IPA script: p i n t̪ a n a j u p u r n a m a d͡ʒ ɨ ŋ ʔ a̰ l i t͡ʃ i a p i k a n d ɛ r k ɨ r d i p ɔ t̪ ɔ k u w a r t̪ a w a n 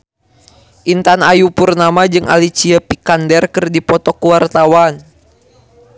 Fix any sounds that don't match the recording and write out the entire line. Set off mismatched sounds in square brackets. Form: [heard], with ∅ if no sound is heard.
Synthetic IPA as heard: [ʔ] i n t̪ a n a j u p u r n a m a d͡ʒ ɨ ŋ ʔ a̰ l i t͡ʃ i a p i k a n d ɛ r k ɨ r d i p ɔ t̪ ɔ k u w a r t̪ a w a n